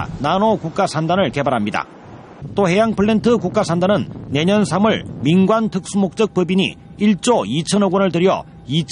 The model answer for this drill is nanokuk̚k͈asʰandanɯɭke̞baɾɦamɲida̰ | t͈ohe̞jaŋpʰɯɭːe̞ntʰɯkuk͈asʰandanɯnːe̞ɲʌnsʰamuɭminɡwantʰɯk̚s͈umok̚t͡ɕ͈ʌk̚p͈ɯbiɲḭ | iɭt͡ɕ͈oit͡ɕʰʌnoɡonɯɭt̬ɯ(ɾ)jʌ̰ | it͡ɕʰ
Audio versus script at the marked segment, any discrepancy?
no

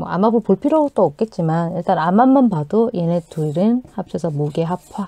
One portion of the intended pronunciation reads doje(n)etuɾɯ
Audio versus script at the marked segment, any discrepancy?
no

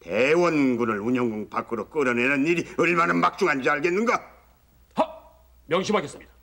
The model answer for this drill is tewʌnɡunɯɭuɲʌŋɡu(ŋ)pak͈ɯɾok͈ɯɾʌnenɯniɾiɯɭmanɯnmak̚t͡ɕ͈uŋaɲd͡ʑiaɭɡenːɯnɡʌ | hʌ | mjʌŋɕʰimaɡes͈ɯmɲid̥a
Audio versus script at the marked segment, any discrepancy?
no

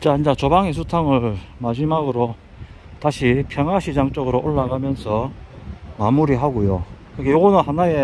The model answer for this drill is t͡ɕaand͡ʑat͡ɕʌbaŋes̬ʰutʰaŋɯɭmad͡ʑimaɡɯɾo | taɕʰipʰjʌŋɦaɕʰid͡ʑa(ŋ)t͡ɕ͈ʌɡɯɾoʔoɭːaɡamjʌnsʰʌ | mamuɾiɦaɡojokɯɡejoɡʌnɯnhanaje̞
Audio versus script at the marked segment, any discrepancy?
no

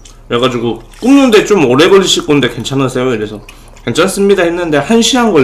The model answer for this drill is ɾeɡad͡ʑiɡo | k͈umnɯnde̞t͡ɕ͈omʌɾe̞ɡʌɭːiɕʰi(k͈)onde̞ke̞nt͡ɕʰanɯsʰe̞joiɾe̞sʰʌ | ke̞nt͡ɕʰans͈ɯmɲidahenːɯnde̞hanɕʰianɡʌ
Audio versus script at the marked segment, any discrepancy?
no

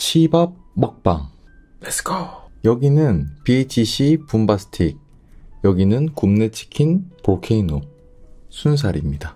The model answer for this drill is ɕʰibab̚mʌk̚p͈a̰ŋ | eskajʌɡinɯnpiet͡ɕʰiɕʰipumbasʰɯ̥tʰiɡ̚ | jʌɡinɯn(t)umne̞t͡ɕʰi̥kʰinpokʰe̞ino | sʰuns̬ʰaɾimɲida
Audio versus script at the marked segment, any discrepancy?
yes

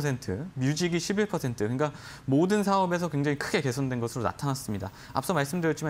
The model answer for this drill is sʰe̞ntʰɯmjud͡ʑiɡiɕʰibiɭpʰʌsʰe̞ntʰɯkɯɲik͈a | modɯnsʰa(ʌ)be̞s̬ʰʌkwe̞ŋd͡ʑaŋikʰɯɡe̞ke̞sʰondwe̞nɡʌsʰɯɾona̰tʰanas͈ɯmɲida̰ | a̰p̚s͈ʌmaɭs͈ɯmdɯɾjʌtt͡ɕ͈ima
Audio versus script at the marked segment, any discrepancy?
no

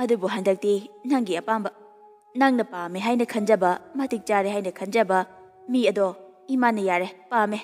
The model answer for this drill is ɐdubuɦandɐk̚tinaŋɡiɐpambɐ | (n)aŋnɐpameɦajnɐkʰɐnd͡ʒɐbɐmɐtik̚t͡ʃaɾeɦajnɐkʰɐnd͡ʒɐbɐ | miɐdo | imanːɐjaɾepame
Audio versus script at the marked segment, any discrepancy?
no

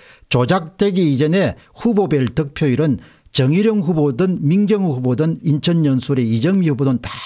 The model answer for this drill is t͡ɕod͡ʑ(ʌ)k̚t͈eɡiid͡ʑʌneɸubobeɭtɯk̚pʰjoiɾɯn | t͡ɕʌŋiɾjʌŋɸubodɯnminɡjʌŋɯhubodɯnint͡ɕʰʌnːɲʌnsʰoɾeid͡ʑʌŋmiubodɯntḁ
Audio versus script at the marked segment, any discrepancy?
yes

